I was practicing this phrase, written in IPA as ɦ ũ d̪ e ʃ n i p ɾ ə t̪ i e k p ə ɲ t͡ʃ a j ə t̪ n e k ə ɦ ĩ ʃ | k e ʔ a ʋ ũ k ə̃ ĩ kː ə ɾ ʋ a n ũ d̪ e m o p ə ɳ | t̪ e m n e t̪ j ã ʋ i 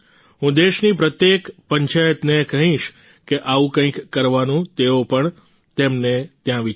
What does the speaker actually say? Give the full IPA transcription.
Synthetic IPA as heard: ɦ ũ d̪ e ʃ n i p ɾ ə t̪ j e k p ə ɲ t͡ʃ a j ə t̪ n e k ə ɦ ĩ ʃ | k e ʔ a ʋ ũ k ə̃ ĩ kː ə ɾ ʋ a n ũ t̪ e o p ə ɳ | t̪ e m n e t̪ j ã ʋ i